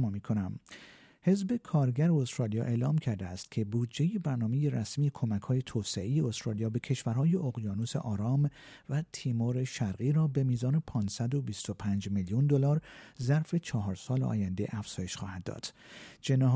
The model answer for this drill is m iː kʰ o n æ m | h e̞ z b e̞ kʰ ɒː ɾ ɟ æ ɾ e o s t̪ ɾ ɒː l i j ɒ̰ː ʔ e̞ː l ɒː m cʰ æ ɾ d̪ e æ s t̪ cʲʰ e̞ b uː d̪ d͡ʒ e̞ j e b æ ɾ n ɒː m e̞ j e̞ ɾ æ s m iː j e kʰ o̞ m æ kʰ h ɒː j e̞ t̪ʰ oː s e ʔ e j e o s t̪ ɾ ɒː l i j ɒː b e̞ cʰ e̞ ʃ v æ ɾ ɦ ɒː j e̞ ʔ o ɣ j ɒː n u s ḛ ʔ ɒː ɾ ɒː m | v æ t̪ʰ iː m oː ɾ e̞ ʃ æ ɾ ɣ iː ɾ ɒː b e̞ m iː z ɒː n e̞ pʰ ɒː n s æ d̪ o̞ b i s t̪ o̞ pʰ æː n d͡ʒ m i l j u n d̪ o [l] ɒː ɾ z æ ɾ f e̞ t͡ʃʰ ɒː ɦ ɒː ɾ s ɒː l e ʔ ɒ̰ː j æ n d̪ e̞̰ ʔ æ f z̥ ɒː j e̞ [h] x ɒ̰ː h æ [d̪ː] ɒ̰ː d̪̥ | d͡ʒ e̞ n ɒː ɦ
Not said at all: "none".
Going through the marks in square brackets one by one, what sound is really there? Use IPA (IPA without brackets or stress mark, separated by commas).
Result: l, ʃ, d̪ː